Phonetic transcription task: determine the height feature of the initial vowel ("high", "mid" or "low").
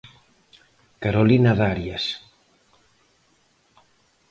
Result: low